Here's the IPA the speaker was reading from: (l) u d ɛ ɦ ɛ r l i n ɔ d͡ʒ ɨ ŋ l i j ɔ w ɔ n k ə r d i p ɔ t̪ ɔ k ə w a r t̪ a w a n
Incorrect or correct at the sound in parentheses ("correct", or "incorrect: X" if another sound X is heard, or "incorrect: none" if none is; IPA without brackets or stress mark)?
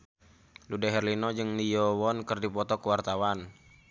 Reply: correct